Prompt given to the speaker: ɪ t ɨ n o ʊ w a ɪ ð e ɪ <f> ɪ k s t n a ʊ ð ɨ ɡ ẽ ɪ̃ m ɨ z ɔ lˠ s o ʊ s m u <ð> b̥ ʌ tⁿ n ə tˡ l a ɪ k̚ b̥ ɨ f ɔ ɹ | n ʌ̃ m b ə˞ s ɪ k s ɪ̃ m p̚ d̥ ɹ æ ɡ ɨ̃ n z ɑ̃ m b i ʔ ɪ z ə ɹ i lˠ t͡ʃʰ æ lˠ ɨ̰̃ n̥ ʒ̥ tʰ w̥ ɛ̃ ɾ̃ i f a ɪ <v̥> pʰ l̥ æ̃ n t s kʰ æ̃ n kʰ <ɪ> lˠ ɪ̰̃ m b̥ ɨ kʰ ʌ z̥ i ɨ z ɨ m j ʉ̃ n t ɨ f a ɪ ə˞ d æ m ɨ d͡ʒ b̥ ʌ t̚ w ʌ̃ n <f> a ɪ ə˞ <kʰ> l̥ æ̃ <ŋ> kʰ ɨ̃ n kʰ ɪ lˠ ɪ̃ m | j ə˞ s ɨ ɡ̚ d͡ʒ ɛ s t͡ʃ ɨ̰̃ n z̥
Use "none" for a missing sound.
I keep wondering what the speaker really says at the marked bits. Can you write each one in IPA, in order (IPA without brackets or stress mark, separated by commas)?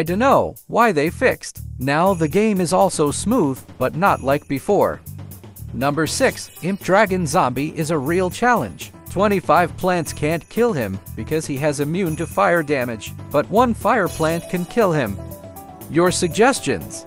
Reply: f, ð, v̥, ɪ, f, pʰ, n